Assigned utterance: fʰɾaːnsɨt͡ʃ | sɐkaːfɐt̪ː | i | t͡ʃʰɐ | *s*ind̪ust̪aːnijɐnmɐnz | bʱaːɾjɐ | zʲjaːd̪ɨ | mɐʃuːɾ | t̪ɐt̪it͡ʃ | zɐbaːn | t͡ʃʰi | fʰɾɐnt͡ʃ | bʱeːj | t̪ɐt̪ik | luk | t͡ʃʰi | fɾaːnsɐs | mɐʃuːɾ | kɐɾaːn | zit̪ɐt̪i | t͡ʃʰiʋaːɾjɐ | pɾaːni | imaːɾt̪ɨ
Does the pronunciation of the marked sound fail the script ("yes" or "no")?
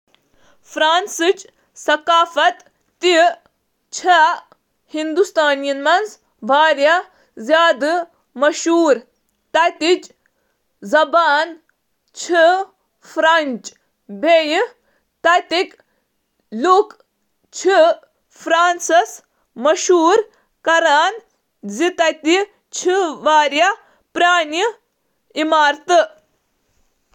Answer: yes